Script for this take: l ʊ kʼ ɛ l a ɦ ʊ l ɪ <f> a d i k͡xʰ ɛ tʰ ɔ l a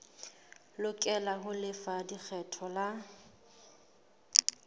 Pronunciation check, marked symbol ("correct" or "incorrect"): correct